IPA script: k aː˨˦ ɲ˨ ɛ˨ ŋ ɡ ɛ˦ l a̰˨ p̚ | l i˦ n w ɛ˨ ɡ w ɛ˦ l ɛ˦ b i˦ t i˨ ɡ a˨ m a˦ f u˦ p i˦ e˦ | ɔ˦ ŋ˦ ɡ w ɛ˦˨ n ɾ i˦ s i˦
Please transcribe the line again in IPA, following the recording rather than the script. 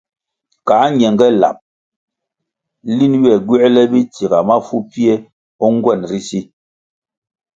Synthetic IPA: k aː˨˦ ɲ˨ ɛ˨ ŋ ɡ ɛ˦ l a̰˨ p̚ | l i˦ n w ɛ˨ ɡ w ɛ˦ l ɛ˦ b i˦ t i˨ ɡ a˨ m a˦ f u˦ p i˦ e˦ | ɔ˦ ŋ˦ ɡ w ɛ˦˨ n ɾ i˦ s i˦